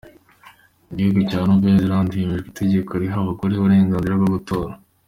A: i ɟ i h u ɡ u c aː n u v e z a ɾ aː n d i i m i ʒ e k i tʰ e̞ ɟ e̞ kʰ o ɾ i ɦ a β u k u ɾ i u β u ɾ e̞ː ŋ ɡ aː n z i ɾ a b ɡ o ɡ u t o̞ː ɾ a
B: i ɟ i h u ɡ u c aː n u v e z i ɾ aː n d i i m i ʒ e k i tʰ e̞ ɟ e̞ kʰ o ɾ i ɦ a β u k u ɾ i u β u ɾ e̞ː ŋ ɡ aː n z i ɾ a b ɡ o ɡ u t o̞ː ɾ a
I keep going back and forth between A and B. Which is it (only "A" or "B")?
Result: B